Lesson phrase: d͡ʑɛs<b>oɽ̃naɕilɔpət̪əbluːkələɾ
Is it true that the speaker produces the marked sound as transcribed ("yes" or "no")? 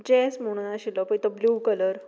no